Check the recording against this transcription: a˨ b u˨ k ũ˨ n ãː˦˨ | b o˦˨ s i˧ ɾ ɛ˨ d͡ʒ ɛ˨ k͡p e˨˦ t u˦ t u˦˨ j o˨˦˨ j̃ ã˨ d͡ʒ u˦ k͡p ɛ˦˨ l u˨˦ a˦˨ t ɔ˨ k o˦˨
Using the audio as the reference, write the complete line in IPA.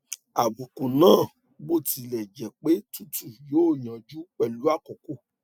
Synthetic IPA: a˨ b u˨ k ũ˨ n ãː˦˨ | b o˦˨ t i˧ l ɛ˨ d͡ʒ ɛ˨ k͡p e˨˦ t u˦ t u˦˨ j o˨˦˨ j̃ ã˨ d͡ʒ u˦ k͡p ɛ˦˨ l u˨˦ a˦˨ k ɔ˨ k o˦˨